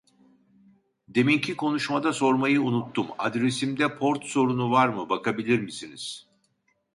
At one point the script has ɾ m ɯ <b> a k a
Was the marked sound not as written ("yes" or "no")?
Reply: no